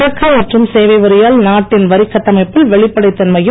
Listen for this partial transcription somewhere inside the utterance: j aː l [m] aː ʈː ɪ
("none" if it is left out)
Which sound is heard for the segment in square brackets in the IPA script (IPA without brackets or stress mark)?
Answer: n